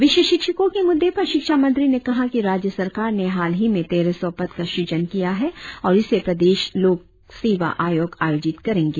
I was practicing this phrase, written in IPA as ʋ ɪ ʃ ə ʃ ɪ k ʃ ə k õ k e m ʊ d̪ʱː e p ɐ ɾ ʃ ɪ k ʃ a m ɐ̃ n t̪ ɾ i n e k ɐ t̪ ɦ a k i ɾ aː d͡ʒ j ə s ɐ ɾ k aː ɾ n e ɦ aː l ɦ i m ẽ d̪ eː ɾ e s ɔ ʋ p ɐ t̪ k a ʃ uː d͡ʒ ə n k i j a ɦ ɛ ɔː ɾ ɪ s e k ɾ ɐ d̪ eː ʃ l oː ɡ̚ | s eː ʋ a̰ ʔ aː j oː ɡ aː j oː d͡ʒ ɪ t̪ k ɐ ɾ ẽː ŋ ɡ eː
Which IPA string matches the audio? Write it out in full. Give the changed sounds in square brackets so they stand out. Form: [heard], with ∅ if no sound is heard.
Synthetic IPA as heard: ʋ ɪ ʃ ə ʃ ɪ k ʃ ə k õ k e m ʊ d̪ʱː e p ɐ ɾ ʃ ɪ k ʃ a m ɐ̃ n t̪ ɾ i n e k ɐ [∅] ɦ a k i ɾ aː d͡ʒ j ə s ɐ ɾ k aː ɾ n e ɦ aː l ɦ i m ẽ [t̪] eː ɾ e s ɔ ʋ p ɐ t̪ k a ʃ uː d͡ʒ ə n k i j a ɦ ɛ ɔː ɾ ɪ s e [p] ɾ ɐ d̪ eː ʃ l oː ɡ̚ | s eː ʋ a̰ ʔ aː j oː ɡ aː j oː d͡ʒ ɪ t̪ k ɐ ɾ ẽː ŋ ɡ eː